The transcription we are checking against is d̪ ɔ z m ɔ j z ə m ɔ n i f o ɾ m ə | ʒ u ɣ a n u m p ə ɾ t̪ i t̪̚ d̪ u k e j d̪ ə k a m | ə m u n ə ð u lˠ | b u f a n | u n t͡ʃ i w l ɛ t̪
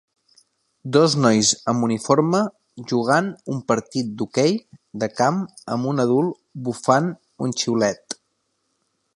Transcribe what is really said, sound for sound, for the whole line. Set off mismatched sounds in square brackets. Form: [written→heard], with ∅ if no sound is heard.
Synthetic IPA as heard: d̪ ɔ z [m→n] ɔ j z ə m [ɔ→u] n i f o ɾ m ə | ʒ u ɣ a n u m p ə ɾ t̪ i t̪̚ d̪ u k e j d̪ ə k a m | ə m u n ə ð u lˠ | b u f a n | u n t͡ʃ i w l ɛ t̪